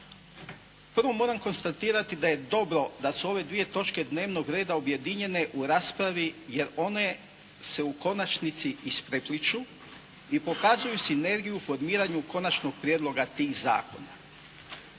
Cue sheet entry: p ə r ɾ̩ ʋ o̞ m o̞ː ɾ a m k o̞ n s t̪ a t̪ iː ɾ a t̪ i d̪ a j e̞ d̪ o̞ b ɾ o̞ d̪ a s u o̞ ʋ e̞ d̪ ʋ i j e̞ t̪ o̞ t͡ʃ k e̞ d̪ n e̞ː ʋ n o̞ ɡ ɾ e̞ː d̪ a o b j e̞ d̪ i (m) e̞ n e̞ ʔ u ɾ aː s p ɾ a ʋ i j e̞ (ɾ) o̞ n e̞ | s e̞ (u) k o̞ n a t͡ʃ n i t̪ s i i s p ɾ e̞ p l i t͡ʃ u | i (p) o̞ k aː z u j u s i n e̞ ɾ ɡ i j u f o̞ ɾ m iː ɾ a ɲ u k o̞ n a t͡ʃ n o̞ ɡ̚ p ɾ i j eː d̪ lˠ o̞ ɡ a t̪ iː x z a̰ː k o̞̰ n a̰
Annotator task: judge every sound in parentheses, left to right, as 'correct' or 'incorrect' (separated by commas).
incorrect, correct, correct, correct